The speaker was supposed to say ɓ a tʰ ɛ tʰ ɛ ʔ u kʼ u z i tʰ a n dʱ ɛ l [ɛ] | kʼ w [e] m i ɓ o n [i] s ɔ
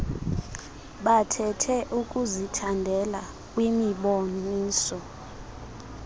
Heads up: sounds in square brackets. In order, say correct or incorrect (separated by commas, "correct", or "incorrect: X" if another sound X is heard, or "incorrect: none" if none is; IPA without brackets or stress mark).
incorrect: a, incorrect: i, incorrect: iː